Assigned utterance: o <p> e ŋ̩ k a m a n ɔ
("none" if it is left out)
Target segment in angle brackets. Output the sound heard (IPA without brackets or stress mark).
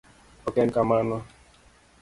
k